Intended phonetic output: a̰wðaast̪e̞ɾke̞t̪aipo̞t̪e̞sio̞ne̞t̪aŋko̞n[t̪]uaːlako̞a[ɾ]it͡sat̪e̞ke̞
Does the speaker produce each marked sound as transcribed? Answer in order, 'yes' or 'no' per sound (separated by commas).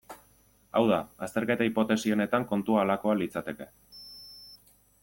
yes, no